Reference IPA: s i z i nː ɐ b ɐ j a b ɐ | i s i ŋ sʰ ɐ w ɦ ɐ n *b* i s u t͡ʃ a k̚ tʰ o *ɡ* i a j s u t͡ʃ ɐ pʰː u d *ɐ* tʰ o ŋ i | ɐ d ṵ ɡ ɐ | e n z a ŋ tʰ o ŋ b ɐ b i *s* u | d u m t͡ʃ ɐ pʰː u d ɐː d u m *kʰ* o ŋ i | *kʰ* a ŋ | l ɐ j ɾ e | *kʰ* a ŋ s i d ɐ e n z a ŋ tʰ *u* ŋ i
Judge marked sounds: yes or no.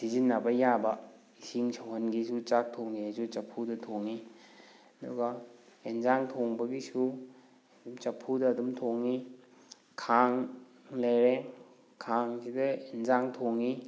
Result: no, no, yes, yes, no, yes, yes, no

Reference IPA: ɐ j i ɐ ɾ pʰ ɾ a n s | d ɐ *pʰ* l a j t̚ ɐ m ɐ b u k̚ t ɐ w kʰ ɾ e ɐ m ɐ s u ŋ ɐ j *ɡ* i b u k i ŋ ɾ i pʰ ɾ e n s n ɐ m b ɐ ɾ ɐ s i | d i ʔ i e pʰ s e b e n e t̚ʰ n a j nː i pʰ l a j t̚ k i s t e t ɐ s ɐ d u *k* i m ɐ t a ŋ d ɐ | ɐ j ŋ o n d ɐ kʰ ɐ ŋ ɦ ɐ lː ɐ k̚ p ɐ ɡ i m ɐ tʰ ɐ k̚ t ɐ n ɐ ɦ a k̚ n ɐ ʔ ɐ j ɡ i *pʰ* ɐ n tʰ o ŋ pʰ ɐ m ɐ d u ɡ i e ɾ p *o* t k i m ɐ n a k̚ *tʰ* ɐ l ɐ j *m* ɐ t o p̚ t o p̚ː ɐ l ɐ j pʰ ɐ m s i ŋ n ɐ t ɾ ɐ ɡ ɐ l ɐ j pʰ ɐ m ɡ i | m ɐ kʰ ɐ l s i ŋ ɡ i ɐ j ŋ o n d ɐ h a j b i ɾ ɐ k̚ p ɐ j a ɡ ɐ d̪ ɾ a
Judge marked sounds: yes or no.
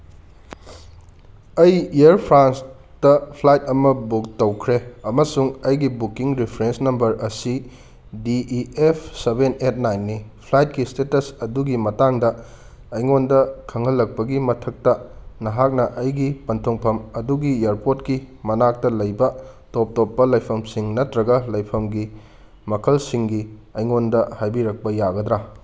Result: yes, yes, no, no, yes, no, no

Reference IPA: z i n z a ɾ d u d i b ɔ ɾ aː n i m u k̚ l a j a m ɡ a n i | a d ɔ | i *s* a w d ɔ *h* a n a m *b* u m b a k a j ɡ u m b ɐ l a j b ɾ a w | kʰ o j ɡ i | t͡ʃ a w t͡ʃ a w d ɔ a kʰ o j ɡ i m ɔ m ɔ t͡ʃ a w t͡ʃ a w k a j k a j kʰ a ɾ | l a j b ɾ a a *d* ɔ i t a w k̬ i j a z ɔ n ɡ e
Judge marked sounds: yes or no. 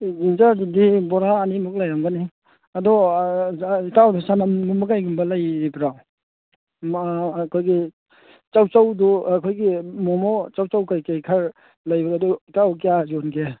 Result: no, no, no, yes

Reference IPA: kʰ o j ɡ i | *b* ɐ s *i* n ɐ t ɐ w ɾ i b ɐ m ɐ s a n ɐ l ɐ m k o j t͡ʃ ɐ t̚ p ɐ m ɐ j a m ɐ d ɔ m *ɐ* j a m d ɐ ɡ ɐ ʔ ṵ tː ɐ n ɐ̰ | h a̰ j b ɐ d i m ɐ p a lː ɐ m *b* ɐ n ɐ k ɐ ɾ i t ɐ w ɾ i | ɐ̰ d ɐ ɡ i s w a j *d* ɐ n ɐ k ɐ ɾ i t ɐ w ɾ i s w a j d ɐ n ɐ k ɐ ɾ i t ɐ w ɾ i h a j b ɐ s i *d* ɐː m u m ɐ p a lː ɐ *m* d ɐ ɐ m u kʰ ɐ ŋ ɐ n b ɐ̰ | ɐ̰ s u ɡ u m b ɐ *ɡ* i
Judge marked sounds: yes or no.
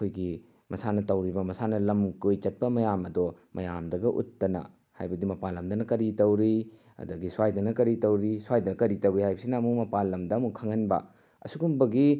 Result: no, no, yes, no, yes, no, yes, yes

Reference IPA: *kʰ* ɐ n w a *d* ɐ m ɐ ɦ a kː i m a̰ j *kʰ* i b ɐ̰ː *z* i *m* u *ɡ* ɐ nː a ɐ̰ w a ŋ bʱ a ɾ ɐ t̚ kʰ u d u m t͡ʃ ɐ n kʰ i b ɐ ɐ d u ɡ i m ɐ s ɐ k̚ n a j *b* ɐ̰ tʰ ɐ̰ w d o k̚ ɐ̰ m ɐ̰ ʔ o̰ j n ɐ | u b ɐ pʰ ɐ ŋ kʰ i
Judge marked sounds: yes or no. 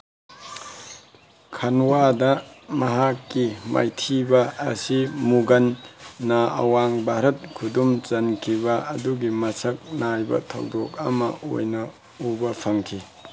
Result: yes, yes, no, no, yes, yes, yes

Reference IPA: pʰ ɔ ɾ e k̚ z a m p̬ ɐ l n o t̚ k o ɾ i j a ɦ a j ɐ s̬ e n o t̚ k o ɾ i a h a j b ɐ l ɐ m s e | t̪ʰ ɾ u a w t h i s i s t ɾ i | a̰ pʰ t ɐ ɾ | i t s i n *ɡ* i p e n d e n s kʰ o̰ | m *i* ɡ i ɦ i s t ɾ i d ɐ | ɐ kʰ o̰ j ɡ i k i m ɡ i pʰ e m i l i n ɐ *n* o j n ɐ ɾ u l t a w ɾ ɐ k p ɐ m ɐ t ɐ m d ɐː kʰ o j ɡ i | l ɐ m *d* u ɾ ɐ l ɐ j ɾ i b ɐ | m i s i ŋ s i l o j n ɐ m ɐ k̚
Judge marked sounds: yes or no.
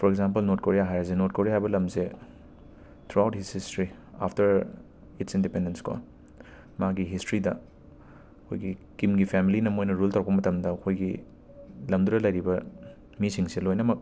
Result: no, no, no, yes

